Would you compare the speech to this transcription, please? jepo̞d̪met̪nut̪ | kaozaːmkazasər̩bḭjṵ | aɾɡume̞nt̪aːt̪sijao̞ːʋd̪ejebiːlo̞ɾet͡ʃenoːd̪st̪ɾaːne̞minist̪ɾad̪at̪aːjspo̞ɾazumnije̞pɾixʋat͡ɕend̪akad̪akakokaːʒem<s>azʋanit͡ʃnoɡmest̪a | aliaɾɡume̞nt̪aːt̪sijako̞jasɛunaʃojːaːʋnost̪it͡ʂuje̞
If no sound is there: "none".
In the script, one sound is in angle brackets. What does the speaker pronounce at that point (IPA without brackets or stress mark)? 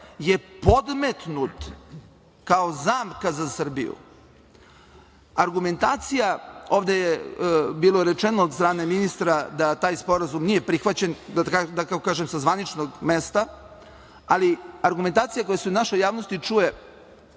s